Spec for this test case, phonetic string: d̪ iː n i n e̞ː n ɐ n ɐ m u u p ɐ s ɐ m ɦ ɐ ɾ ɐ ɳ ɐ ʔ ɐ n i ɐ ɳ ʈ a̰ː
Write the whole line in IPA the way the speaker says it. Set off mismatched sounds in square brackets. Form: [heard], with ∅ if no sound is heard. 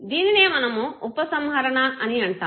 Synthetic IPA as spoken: d̪ iː n i n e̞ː [m] ɐ n ɐ m u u p ɐ s ɐ m ɦ ɐ ɾ ɐ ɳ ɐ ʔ ɐ n i ɐ ɳ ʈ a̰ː